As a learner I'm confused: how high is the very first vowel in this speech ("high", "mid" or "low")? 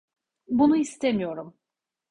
high